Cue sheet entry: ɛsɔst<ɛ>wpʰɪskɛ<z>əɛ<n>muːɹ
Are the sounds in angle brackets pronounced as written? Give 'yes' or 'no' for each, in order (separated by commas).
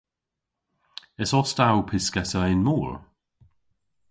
no, no, yes